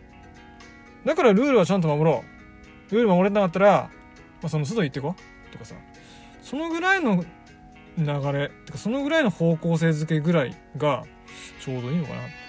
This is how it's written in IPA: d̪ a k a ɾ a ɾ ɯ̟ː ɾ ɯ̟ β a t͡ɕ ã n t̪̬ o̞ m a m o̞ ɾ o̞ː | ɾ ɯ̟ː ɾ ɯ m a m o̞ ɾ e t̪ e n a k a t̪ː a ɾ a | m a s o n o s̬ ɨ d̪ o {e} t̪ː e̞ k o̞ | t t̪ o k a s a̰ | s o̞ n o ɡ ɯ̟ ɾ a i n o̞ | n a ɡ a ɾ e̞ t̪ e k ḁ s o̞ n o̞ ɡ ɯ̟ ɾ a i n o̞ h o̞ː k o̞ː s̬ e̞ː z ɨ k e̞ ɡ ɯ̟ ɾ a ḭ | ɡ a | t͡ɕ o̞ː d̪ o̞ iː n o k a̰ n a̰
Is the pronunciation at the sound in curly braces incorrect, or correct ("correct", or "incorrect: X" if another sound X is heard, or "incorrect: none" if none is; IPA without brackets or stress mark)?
incorrect: i